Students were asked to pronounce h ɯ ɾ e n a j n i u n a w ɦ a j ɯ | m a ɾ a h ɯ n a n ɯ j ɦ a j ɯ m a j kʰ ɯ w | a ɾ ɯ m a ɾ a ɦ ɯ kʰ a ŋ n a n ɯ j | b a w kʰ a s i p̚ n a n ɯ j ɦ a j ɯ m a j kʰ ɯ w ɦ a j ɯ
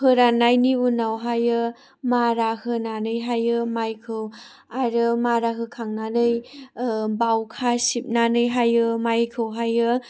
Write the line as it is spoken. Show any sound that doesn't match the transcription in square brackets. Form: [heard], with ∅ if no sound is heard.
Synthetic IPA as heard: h ɯ ɾ [a] n a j n i u n a w ɦ a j ɯ | m a ɾ a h ɯ n a n ɯ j ɦ a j ɯ m a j kʰ ɯ w | a ɾ ɯ m a ɾ a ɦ ɯ kʰ a ŋ n a n ɯ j | b a w kʰ a s i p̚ n a n ɯ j ɦ a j ɯ m a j kʰ ɯ w ɦ a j ɯ